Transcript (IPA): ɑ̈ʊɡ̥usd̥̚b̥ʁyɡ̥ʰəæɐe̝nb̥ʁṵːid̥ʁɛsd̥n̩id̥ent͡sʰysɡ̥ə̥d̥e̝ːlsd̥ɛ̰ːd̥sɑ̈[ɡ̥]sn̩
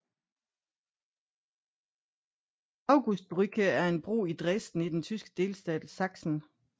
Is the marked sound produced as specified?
yes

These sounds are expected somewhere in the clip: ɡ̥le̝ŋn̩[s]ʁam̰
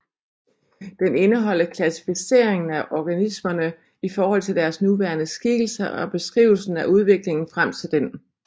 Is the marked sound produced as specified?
no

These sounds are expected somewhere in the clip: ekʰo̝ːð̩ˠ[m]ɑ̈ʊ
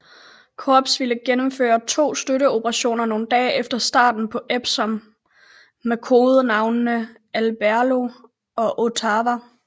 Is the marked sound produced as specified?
no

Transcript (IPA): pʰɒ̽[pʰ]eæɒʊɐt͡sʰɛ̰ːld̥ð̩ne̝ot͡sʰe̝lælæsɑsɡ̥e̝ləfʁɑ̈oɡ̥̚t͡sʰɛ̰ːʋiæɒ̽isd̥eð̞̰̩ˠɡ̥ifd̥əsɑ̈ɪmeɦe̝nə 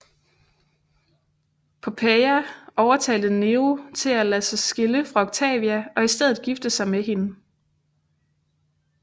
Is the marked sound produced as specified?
yes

